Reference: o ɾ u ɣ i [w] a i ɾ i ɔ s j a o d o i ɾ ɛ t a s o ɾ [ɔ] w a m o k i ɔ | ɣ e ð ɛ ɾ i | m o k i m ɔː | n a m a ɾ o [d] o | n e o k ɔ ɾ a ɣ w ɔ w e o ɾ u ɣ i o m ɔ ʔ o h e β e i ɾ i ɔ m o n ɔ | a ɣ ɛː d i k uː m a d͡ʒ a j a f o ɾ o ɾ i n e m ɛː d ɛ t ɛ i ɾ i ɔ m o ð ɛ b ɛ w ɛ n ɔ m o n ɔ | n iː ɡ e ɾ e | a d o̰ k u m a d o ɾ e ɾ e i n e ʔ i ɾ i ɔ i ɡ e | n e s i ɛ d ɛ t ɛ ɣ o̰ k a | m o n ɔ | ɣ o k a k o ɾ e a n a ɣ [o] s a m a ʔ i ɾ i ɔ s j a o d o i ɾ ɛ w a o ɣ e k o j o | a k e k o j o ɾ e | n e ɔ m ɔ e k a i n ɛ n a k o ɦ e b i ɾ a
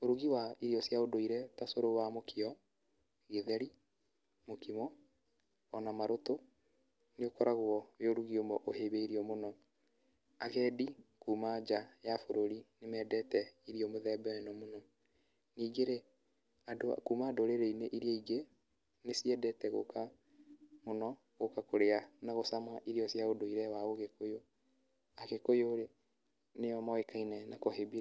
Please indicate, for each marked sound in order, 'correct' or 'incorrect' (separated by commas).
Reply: correct, incorrect, incorrect, correct